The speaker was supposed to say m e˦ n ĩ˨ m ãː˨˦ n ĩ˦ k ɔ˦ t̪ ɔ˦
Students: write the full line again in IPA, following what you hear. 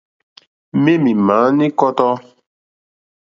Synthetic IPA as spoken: m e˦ m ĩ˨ m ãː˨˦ n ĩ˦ k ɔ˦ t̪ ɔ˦

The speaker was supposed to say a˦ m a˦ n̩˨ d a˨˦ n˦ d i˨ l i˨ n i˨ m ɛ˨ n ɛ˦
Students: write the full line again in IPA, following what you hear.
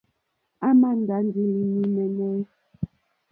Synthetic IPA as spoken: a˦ m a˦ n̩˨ d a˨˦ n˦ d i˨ l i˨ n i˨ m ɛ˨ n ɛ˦

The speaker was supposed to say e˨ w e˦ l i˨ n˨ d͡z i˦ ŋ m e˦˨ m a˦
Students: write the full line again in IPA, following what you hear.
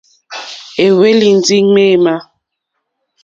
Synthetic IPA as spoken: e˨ w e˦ l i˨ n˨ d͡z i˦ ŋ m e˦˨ m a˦

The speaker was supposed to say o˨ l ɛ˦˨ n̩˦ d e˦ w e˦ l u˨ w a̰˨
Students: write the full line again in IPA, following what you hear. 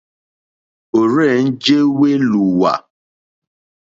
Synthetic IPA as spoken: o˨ ɾ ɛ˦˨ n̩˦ d͡ʒ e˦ w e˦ l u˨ w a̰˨

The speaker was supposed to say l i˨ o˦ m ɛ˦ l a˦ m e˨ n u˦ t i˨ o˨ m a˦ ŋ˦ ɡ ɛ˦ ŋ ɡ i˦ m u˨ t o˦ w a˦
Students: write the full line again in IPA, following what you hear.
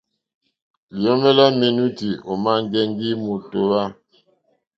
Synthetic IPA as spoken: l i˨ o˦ m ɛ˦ l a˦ m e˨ n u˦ t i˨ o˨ m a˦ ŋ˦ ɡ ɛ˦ ŋ ɡ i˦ m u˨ t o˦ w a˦

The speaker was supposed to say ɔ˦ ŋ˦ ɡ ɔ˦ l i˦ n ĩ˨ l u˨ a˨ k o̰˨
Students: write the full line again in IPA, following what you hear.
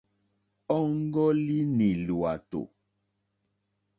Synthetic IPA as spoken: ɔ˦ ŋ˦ ɡ ɔ˦ l i˦ n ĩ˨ l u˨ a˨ t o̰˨

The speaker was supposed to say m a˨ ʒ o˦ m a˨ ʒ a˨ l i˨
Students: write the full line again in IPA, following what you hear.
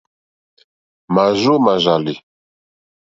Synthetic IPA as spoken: m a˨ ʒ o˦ m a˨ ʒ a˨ l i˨

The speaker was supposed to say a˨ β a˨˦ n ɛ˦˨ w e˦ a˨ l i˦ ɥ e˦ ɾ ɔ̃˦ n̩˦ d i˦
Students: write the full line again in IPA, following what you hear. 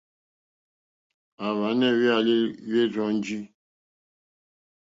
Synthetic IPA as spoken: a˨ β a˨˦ n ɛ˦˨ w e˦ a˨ l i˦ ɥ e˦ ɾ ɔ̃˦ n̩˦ d͡ʒ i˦

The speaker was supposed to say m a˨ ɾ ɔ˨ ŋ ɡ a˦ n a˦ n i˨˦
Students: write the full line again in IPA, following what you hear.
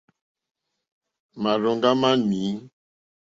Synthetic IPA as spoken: m a˨ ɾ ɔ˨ ŋ ɡ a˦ m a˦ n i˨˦

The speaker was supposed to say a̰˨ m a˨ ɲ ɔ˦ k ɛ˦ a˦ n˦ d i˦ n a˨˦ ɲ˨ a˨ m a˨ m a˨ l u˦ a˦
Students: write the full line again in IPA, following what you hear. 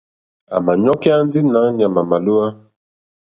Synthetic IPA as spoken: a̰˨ m a˨ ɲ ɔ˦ k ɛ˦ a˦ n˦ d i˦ n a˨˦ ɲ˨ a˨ m a˨ m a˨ l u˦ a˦

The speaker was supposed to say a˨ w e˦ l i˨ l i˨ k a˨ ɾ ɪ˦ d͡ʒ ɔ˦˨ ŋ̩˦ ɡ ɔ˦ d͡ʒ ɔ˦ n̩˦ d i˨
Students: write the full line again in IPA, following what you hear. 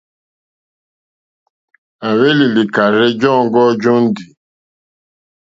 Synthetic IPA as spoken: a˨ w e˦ l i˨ l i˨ k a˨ ɾ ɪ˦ d͡ʒ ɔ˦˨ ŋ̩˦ ɡ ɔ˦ d͡ʒ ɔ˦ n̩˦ d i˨

